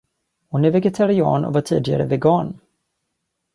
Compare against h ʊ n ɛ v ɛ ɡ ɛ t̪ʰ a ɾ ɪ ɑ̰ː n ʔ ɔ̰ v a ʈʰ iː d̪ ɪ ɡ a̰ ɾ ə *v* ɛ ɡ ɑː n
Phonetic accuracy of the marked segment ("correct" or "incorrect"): correct